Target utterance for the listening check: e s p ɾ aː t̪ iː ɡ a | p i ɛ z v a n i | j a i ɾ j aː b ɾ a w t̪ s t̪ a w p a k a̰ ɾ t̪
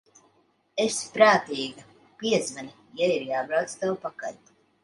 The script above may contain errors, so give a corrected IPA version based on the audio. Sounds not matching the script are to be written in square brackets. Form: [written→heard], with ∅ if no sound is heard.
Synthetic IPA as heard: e s p ɾ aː t̪ iː ɡ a | p i ɛ z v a n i | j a i ɾ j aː b ɾ a w t̪ s t̪ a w p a k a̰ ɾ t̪